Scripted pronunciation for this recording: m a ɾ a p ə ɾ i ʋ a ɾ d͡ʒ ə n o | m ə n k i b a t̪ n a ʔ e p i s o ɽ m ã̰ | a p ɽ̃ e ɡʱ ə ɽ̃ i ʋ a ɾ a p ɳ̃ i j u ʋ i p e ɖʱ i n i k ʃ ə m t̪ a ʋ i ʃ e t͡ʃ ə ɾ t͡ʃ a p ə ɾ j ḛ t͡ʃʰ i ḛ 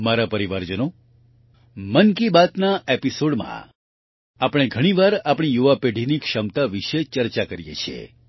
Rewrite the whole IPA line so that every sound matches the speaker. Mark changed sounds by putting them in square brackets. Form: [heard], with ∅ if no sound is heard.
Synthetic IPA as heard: m a ɾ a p ə ɾ i ʋ a ɾ d͡ʒ ə n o | m ə n k i b a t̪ n a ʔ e p i s o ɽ m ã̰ | a p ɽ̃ e ɡʱ ə ɽ̃ i ʋ a ɾ a p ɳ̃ i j u ʋ [a] p e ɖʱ i n i k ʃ ə m t̪ a ʋ i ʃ e t͡ʃ ə ɾ t͡ʃ a [k] ə ɾ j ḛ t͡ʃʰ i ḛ

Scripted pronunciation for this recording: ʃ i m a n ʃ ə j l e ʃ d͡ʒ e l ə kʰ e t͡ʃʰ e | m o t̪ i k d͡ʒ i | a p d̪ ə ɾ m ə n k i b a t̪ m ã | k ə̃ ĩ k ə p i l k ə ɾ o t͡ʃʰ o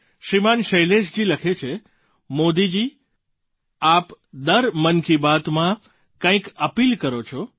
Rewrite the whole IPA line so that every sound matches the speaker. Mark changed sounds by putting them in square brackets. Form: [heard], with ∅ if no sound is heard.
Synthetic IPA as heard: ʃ i m a n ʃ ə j l e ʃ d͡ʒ [i] l ə kʰ e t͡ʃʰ e | m o [d̪] i [∅] d͡ʒ i | a p d̪ ə ɾ m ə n k i b a t̪ m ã | k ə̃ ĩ k ə p i l k ə ɾ o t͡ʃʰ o

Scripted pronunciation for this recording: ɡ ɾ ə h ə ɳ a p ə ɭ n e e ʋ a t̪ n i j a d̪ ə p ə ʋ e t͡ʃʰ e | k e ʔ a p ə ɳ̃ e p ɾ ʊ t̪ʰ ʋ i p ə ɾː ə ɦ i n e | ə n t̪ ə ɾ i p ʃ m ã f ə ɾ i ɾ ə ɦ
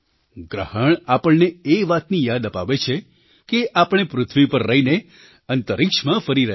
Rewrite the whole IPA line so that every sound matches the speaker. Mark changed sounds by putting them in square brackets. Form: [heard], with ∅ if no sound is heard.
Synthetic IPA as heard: ɡ ɾ ə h ə ɳ a p ə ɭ n e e ʋ a t̪ n i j a d̪ ə p [a] ʋ e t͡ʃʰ e | k e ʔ a p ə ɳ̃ e p ɾ ʊ t̪ʰ ʋ i p ə ɾː ə ɦ i n e | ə n t̪ ə ɾ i [k] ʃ m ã f ə ɾ i ɾ ə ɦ

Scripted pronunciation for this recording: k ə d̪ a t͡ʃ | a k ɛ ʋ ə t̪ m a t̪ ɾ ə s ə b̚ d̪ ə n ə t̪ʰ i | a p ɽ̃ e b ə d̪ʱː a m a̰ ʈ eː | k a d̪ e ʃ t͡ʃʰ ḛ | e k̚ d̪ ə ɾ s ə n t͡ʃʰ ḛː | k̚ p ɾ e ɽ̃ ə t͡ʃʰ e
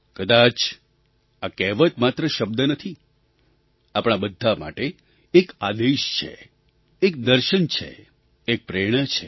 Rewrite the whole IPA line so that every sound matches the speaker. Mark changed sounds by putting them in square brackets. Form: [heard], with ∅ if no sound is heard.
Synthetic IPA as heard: k ə d̪ a t͡ʃ | a k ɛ ʋ ə t̪ m a t̪ ɾ ə [ʃ] ə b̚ d̪ ə n ə t̪ʰ i | a p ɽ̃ [a] b ə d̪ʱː a m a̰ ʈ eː | k a d̪ e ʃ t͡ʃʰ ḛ | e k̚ d̪ ə ɾ [ʃ] ə n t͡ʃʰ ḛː | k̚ p ɾ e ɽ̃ ə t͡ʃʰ e

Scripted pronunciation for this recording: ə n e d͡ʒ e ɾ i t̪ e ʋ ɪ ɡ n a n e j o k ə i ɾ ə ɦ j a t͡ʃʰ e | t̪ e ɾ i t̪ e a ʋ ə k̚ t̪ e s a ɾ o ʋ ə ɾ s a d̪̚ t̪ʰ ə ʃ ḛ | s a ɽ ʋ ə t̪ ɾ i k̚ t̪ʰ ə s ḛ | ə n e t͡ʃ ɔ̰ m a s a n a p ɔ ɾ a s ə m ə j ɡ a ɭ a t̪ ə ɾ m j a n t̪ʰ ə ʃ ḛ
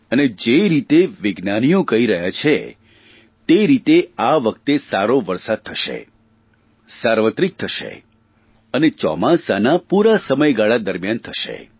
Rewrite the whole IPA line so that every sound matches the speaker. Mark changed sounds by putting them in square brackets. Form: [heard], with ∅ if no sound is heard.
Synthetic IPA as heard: ə n e d͡ʒ e ɾ i t̪ e ʋ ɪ ɡ n a n [i] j o k ə i ɾ ə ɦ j a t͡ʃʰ e | t̪ e ɾ i t̪ e a ʋ ə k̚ t̪ e s a ɾ o ʋ ə ɾ s a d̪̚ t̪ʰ ə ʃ ḛ | s a [ɾ] ʋ ə t̪ ɾ i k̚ t̪ʰ ə [ʃ] ḛ | ə n e t͡ʃ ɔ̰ m a s a n a p [u] ɾ a s ə m ə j ɡ a ɭ a [d̪] ə ɾ m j a n t̪ʰ ə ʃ ḛ

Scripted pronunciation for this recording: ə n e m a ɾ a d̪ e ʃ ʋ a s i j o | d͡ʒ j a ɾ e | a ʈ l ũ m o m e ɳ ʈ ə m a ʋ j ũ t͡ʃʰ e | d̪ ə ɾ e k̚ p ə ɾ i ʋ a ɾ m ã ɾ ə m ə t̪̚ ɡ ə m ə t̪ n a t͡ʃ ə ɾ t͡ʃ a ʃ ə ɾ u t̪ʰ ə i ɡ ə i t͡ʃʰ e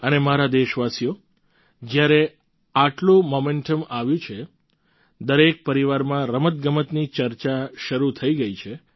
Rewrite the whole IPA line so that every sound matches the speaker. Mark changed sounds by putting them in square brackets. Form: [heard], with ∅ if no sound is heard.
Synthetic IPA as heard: ə n e m a ɾ a d̪ e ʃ ʋ a s i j o | d͡ʒ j a ɾ e | a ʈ l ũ m o m e ɳ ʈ ə m a ʋ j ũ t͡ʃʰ e | d̪ ə ɾ e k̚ p ə ɾ i ʋ a ɾ m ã ɾ ə m ə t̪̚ ɡ ə m ə t̪ n [i] t͡ʃ ə ɾ t͡ʃ a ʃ ə ɾ u t̪ʰ ə i ɡ ə i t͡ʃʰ e

